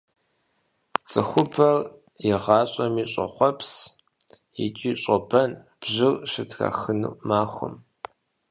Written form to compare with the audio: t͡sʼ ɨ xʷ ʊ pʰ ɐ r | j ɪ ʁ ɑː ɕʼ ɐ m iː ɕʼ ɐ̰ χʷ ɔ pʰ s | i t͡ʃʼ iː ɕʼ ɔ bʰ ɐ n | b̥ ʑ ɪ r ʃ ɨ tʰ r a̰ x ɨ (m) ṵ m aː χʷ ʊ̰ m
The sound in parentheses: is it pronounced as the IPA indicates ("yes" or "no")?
no